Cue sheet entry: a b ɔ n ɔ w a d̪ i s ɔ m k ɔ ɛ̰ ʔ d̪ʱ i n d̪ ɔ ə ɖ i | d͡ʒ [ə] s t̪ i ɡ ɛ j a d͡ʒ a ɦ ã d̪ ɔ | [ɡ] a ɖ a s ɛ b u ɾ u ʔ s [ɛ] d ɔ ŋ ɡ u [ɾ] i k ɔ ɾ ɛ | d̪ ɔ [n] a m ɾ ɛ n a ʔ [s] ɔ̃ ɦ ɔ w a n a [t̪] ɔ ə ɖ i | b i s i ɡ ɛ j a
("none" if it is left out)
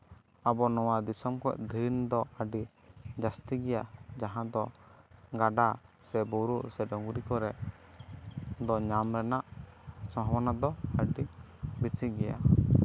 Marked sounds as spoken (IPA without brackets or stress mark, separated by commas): a, ɡ, ɛ, ɾ, ɲ, s, d̪